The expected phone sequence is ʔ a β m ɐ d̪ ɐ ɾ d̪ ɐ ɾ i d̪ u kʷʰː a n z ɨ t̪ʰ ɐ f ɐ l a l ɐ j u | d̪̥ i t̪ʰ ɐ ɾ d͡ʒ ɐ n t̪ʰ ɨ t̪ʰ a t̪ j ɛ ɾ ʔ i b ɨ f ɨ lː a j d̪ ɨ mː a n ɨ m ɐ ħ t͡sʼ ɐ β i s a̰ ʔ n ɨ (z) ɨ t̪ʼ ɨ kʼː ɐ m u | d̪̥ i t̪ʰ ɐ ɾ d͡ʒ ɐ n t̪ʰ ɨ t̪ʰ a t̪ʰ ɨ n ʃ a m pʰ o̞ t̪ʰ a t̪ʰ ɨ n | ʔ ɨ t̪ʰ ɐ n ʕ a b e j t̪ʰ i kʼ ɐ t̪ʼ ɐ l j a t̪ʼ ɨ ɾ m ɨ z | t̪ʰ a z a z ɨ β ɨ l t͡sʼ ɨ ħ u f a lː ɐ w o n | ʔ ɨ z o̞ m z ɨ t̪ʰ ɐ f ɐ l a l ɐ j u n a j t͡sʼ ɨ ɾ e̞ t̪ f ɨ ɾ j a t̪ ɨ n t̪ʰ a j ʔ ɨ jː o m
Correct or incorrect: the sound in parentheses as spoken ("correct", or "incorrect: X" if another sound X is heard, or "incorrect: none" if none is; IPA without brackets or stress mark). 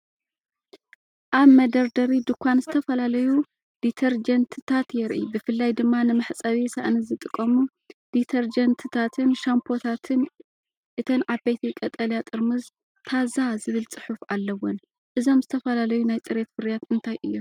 correct